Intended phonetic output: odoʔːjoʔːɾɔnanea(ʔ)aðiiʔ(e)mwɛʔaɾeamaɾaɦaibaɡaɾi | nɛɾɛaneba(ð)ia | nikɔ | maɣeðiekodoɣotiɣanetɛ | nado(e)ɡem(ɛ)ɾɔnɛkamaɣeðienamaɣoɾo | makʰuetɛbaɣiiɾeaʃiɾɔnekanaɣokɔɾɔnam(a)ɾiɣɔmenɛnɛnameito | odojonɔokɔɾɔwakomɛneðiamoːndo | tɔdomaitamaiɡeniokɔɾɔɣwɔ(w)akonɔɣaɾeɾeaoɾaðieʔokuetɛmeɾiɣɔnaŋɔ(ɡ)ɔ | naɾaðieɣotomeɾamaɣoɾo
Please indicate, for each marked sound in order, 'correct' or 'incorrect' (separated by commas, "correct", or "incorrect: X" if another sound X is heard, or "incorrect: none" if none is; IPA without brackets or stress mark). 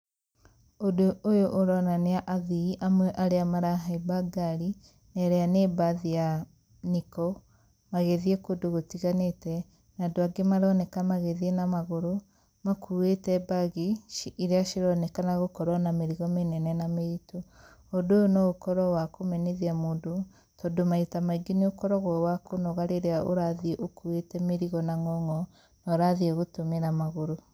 correct, incorrect: a, correct, incorrect: a, incorrect: a, incorrect: e, correct, incorrect: ŋ